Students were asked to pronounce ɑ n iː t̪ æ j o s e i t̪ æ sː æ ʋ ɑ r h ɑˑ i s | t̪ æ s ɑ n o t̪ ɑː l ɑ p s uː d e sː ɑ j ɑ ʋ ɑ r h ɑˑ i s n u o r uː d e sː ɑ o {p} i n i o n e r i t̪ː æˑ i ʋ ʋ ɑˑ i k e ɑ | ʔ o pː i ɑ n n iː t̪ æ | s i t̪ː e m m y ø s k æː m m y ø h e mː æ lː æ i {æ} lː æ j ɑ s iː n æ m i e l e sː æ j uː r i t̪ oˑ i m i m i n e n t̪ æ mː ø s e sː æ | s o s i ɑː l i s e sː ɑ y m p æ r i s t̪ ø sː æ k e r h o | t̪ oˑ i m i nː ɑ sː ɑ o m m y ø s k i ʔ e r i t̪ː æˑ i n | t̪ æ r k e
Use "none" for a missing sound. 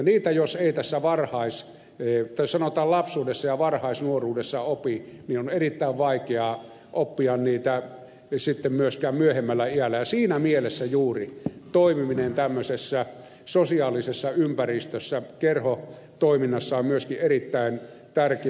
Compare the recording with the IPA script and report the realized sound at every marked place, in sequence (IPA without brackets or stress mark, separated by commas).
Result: p, æ